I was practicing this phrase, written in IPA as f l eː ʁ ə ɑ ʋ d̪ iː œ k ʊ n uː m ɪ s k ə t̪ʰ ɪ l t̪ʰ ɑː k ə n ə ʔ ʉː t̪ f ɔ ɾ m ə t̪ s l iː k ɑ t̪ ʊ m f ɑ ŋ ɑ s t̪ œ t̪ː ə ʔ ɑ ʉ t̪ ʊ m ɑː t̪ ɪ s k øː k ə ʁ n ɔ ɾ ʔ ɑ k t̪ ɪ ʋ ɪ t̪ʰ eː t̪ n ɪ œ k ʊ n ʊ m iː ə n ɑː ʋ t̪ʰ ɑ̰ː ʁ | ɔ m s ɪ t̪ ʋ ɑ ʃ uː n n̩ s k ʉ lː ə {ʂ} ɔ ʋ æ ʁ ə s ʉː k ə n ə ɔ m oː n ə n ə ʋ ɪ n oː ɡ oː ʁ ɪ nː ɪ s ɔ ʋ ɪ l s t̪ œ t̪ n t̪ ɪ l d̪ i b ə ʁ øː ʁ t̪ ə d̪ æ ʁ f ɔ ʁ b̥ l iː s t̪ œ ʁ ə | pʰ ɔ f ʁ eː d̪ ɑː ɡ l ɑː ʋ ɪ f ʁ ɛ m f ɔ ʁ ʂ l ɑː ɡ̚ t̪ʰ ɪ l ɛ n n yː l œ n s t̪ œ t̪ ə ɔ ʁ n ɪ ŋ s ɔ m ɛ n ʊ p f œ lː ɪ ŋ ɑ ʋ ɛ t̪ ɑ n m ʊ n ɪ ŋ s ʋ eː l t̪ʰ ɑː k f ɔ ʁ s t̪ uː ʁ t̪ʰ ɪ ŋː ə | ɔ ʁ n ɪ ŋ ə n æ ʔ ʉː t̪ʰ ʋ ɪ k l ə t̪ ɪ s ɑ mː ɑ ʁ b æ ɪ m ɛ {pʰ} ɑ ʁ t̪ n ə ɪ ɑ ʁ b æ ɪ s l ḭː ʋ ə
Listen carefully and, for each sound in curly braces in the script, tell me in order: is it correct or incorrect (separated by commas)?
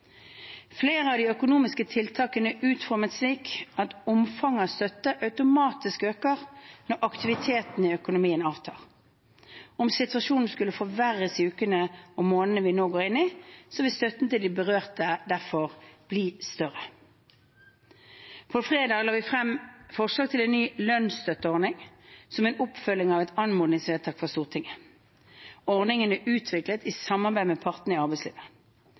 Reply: incorrect, correct